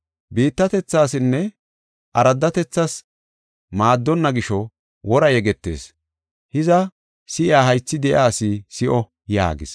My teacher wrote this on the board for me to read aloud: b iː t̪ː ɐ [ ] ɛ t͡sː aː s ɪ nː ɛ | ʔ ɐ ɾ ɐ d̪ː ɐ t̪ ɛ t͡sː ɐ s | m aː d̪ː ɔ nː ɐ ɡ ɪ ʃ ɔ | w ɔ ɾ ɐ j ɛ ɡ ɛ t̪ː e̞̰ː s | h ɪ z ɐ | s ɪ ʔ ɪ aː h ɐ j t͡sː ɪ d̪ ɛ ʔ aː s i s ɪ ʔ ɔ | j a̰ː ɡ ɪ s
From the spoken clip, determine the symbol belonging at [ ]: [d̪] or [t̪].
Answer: t̪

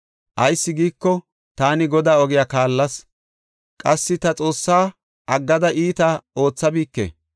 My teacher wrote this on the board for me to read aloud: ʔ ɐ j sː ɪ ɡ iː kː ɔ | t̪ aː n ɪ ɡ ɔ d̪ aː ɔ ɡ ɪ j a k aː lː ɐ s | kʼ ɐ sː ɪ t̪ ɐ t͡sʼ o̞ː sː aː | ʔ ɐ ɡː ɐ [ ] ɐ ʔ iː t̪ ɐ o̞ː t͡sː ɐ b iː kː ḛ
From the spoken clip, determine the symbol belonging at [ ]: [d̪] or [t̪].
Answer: d̪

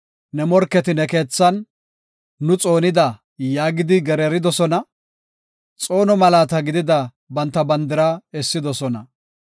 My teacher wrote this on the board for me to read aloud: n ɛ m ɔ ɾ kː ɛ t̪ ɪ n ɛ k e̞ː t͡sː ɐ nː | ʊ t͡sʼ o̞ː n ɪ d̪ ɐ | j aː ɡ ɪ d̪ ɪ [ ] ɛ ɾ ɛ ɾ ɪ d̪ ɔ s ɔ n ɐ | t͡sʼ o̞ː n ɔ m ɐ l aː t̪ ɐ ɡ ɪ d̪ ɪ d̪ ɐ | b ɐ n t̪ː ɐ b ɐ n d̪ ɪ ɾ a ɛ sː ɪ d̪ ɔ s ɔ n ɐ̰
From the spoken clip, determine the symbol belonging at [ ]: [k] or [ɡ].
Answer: ɡ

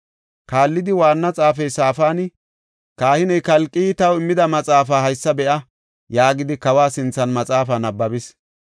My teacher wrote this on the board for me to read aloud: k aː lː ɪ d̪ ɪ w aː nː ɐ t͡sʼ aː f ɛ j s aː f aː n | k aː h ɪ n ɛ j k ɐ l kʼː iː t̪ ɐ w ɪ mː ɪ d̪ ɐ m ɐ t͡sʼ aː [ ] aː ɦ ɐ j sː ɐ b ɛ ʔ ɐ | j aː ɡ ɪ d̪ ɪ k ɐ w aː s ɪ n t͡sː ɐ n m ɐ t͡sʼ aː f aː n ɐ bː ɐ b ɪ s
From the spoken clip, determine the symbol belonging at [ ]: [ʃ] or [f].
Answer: f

